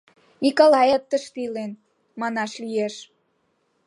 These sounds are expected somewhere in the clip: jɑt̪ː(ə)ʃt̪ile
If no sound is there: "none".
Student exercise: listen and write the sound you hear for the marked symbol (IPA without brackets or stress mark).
ə